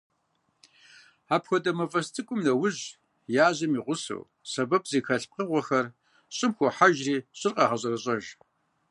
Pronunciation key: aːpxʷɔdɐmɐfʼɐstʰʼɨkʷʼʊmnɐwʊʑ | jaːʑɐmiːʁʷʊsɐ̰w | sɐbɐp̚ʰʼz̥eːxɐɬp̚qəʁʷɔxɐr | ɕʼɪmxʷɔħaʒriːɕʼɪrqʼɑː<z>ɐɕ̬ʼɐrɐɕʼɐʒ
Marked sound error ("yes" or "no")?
yes